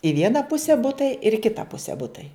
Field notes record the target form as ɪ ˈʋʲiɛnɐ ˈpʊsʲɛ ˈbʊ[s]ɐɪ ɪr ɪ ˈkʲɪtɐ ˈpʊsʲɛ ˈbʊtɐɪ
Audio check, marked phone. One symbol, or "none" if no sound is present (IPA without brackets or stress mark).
t